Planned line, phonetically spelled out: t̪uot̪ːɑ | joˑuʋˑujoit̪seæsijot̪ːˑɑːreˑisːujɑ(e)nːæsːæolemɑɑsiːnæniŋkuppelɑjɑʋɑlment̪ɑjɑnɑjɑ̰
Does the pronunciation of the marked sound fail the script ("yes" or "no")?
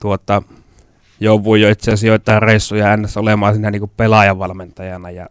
yes